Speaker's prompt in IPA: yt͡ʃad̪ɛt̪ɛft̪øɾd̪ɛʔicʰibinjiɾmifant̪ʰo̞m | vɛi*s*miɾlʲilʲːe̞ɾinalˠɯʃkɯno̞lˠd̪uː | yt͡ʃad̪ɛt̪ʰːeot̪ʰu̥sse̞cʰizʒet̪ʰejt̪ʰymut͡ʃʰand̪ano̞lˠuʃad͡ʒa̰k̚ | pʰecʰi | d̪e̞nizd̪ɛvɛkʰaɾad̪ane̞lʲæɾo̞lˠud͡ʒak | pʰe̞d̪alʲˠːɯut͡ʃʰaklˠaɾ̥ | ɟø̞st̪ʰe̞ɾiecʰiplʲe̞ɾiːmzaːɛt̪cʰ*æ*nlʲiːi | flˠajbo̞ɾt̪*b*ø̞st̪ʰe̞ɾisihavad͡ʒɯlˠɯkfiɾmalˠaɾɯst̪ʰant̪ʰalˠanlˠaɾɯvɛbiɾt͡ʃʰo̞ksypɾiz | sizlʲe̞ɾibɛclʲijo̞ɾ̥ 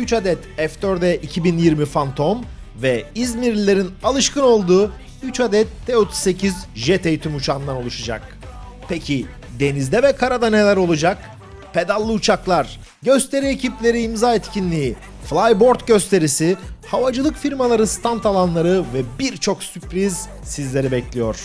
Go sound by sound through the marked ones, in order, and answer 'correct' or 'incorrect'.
incorrect: z, incorrect: i, incorrect: ɟ

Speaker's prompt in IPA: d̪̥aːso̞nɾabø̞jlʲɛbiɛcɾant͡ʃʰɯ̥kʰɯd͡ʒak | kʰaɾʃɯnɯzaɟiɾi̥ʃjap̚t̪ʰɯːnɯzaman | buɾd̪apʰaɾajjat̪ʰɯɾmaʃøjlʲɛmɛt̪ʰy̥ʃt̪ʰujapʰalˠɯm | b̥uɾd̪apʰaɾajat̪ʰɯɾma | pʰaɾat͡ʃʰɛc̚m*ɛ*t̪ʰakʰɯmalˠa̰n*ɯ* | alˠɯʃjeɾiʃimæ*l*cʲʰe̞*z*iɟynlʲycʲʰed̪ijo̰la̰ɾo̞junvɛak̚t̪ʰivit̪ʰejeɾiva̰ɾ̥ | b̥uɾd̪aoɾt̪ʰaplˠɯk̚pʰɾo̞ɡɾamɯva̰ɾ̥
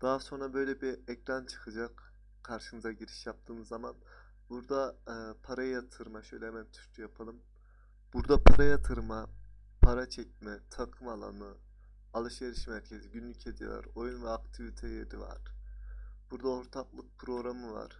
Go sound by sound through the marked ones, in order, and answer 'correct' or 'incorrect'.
correct, correct, incorrect: ɾ, correct

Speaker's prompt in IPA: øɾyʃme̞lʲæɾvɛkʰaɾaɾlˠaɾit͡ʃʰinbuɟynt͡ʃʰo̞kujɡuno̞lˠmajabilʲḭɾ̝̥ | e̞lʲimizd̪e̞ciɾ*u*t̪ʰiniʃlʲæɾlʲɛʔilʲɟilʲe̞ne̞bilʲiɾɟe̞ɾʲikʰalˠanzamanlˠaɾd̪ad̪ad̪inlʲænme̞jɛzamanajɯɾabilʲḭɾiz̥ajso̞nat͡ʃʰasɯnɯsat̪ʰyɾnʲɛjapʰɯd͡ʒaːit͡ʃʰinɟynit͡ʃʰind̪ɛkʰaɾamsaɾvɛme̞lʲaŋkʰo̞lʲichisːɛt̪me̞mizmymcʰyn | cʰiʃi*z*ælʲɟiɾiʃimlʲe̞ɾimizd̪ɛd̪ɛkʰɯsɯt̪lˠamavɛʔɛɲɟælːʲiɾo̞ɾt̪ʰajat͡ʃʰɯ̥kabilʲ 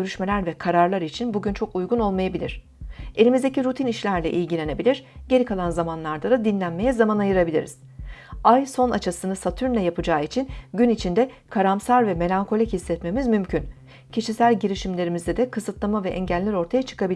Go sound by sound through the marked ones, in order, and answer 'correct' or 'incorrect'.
correct, incorrect: s

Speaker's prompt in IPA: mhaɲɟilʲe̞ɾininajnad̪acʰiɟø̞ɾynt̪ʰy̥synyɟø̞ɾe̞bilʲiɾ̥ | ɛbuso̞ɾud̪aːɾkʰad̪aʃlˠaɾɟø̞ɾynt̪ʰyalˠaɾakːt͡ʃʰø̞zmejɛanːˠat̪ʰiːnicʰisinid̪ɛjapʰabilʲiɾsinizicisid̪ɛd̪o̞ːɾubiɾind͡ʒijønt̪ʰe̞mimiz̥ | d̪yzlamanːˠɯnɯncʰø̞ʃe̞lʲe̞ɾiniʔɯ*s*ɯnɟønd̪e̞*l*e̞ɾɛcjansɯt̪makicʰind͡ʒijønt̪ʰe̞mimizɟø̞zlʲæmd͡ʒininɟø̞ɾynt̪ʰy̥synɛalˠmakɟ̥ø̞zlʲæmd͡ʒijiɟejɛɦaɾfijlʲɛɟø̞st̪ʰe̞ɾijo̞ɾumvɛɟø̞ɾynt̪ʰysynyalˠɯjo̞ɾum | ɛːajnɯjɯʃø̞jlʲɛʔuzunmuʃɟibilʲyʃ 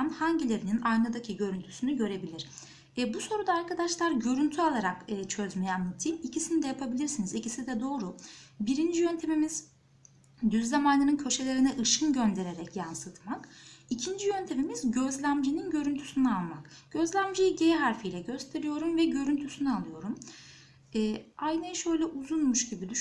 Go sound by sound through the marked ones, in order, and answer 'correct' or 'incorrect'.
incorrect: ʃ, incorrect: ɾ

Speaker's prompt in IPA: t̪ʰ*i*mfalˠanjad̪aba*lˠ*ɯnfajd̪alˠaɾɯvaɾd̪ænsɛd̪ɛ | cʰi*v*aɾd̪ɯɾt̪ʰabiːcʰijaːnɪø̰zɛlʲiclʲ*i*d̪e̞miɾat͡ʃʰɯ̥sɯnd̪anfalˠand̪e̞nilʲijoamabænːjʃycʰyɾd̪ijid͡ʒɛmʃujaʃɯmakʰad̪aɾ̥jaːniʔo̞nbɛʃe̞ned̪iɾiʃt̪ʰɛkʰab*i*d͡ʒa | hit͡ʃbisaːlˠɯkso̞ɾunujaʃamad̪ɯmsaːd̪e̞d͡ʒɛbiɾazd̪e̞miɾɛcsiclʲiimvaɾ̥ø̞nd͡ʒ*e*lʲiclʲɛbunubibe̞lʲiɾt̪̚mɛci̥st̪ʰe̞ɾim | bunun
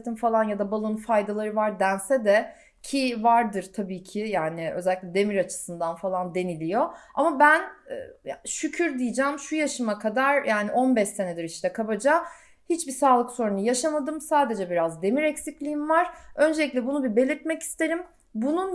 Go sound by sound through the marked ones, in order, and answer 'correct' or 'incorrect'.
correct, correct, correct, incorrect: ɛ, incorrect: a, correct

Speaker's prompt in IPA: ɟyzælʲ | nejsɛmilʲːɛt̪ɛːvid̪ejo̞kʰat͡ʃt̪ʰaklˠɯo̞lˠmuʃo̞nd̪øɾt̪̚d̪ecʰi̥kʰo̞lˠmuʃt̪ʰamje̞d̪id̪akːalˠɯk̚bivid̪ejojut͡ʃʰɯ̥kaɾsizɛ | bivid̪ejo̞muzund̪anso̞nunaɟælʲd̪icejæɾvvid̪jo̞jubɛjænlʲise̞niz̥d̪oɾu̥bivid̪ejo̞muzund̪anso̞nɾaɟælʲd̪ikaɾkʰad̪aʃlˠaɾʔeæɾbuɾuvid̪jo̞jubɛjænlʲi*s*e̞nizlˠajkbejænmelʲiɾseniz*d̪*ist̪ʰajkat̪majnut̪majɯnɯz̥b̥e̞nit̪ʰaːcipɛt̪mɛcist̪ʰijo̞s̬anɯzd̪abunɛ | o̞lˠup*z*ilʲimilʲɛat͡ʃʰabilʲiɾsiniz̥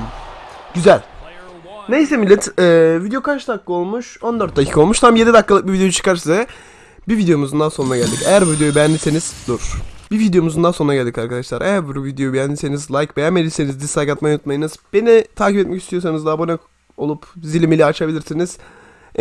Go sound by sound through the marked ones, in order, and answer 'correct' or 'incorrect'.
correct, correct, correct

